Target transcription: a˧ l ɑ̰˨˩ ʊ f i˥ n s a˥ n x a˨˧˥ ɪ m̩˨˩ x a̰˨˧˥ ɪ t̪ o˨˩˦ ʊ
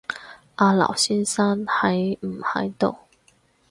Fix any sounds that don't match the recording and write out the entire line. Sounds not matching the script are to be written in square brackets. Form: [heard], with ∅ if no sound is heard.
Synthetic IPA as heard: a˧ l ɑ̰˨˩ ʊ [ɕ] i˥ n s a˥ n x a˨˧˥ ɪ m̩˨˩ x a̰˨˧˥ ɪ t̪ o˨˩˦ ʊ